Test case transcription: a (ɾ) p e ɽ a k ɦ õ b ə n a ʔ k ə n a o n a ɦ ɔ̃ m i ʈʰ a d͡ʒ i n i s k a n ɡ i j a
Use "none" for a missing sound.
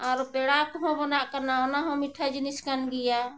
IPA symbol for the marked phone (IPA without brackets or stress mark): ɾ